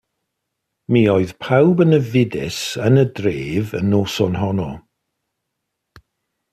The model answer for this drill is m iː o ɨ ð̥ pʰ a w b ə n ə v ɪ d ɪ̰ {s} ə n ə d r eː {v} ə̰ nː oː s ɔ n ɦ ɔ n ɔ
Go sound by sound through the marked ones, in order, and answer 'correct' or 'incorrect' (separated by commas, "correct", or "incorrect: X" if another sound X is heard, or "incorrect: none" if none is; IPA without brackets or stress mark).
correct, correct